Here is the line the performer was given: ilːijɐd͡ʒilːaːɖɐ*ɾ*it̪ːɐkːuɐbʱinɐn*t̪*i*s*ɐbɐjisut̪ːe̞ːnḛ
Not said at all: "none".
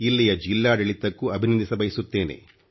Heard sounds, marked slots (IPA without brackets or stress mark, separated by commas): ɭ, d̪, s